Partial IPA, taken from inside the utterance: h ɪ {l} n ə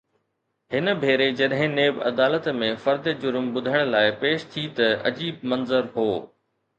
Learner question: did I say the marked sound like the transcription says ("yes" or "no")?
no